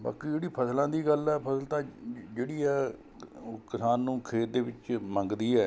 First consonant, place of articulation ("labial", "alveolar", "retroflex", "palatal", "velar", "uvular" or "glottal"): labial